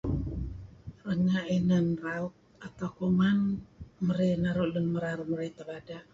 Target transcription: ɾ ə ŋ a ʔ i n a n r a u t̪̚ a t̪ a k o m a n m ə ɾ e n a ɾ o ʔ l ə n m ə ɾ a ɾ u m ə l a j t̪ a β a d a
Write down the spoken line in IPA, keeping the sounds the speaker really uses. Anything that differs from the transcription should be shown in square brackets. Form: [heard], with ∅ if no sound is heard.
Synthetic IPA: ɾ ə ŋ a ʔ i n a n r a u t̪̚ a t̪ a k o m a n m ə ɾ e n a ɾ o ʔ l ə n m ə ɾ a ɾ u m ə [ɾ] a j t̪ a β a d a